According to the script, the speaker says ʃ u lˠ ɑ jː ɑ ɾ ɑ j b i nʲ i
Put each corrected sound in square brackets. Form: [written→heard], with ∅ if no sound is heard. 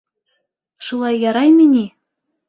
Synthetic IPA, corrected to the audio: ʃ u lˠ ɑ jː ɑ ɾ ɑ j [b→m] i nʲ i